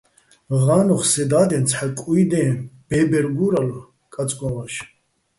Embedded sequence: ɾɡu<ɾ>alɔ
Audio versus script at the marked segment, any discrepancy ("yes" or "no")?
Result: no